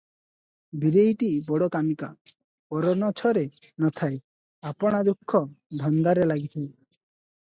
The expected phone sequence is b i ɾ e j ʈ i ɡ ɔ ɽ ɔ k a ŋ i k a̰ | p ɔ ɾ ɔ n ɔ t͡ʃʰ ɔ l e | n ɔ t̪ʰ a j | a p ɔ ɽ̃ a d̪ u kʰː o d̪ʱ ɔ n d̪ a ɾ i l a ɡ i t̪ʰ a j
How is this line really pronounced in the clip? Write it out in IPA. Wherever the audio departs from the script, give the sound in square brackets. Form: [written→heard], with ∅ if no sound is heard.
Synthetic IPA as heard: b i ɾ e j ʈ i [ɡ→b] ɔ ɽ ɔ k a [ŋ→m] i k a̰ | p ɔ ɾ ɔ n ɔ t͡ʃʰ ɔ [l→ɾ] e | n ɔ t̪ʰ a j | a p ɔ ɽ̃ a d̪ u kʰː [o→ɔ] d̪ʱ ɔ n d̪ a ɾ [i→e] l a ɡ i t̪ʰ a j